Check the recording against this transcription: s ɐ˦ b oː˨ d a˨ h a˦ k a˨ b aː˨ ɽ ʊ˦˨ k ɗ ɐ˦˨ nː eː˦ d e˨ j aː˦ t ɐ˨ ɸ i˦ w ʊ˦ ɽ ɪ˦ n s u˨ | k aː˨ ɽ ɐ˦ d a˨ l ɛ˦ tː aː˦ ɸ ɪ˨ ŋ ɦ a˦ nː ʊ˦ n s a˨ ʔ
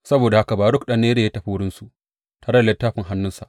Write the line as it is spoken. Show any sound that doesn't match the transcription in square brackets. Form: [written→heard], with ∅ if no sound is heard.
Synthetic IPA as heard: s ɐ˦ b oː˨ d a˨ h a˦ k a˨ b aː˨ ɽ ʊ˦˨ k ɗ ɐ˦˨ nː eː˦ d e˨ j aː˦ t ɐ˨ ɸ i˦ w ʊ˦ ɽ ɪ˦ n s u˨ | [k→t] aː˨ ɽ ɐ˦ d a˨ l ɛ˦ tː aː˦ ɸ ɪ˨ ŋ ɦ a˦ nː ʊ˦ n s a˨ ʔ